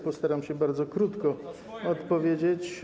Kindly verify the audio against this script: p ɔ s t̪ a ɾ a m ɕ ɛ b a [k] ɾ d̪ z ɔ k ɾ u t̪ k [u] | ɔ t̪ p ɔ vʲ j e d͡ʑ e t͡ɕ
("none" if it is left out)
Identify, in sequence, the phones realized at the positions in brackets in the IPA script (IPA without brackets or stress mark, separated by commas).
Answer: none, ɔ